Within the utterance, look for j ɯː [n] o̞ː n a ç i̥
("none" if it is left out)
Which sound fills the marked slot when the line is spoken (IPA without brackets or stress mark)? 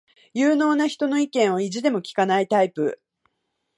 n